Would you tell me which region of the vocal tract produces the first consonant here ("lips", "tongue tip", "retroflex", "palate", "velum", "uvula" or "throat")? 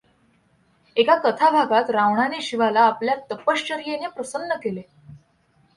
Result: velum